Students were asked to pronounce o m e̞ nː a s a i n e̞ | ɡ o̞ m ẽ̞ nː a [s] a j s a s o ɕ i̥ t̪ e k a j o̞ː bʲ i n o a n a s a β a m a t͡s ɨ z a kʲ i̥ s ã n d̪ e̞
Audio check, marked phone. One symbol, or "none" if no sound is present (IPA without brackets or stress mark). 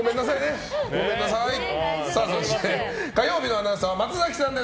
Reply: s